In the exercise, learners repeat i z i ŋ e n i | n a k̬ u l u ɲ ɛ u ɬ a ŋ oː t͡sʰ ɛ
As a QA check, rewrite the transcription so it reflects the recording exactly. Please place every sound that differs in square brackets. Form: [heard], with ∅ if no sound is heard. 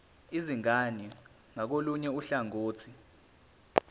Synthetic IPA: i z i ŋ [a] n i | [ŋ] a k̬ [o] l u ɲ ɛ u ɬ a ŋ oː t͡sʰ [i]